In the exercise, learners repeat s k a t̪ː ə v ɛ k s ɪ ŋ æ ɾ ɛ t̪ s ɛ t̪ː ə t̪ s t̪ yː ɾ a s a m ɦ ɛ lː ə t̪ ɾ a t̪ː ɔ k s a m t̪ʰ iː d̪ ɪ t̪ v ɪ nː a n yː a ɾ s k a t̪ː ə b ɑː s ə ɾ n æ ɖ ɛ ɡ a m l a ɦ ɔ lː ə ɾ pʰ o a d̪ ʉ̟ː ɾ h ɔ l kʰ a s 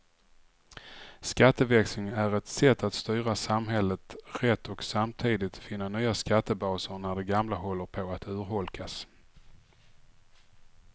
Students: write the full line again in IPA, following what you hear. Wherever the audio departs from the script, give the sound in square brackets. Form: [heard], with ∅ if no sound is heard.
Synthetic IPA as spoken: s k a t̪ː ə v ɛ k s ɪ ŋ æ ɾ ɛ t̪ s ɛ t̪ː [a] t̪ s t̪ yː ɾ a s a m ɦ ɛ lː ə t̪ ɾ [ɛ] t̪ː ɔ k s a m t̪ʰ iː d̪ ɪ t̪ [f] ɪ nː a n yː a [∅] s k a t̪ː ə b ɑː s ə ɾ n æ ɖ ɛ ɡ a m l a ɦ ɔ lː ə ɾ pʰ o a [t̪] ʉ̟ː ɾ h ɔ l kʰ a s